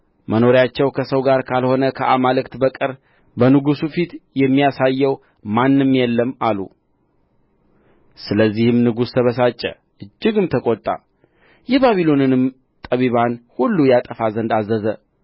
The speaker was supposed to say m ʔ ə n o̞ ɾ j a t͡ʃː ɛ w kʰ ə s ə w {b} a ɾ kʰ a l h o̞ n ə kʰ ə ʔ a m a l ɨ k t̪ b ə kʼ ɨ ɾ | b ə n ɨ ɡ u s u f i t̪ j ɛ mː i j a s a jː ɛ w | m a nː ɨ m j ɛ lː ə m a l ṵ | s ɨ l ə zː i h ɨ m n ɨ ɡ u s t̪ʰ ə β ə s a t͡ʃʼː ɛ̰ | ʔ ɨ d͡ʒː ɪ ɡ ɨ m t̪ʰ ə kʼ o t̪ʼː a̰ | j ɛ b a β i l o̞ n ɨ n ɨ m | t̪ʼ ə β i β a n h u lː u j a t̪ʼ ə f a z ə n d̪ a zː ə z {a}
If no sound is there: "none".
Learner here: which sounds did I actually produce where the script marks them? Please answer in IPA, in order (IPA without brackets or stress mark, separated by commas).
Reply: ɡ, ə